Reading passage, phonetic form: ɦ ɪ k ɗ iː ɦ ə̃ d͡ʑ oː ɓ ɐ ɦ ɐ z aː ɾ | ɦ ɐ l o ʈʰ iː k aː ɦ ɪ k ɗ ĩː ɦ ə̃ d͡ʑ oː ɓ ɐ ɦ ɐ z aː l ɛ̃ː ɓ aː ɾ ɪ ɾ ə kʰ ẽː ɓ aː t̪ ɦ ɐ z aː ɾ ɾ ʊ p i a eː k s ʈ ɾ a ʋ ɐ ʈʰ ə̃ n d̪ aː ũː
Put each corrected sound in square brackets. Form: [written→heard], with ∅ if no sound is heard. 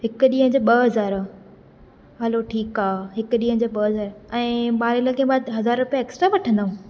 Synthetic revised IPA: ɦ ɪ k ɗ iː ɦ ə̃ d͡ʑ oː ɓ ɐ ɦ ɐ z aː ɾ | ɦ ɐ l o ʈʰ iː k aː ɦ ɪ k ɗ [ĩː→iː] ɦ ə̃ d͡ʑ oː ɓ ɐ ɦ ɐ z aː [l→ɾ] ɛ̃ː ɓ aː ɾ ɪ [ɾ→l] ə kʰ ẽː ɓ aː [t̪→d̪] ɦ ɐ z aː ɾ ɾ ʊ p i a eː k s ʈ ɾ a ʋ ɐ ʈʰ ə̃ n d̪ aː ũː